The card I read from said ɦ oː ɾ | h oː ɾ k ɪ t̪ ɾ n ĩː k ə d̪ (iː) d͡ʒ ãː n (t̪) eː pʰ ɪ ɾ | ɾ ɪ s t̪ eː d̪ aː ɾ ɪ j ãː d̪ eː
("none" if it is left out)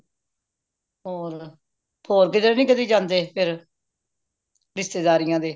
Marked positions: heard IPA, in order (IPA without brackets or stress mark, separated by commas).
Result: iː, d̪